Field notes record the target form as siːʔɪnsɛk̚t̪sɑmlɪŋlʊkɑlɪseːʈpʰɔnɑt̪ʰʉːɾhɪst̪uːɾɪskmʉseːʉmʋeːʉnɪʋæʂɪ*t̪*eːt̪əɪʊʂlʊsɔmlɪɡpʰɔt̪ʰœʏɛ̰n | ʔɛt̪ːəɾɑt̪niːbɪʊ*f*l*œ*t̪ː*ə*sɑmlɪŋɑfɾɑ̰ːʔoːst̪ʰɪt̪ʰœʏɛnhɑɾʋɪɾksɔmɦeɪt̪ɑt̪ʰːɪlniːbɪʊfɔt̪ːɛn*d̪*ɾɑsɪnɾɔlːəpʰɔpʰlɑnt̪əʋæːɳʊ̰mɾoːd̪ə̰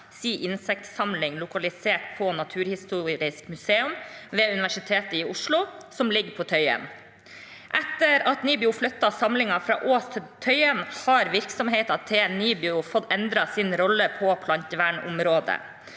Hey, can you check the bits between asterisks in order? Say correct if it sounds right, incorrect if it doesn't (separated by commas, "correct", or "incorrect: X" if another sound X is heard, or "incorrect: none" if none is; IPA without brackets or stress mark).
incorrect: t̪ʰ, correct, correct, incorrect: ɑ, correct